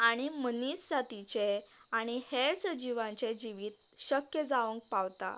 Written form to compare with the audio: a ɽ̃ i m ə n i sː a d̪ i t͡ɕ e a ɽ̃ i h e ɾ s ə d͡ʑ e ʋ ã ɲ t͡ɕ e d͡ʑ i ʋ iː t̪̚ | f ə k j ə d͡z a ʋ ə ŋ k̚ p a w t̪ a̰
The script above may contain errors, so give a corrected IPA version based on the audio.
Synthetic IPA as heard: a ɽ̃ i m ə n i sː a t̪ i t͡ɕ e a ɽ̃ i h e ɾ s ə d͡ʑ i ʋ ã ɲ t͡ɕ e d͡ʑ i ʋ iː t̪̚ | ɕ ə k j ə d͡z a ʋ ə ŋ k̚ p a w t̪ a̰